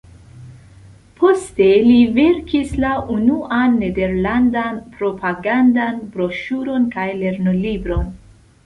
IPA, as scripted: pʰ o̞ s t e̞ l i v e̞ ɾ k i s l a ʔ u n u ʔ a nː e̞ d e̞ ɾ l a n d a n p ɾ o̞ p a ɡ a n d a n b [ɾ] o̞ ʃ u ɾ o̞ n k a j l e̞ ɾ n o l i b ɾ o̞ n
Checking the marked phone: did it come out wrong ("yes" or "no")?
no